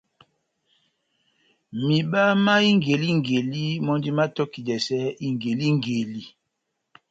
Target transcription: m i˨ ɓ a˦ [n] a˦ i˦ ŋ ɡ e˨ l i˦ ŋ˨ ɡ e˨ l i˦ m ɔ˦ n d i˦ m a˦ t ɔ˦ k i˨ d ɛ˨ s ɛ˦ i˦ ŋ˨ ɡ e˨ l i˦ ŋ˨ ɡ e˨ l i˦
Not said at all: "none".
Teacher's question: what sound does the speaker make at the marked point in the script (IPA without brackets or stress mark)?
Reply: m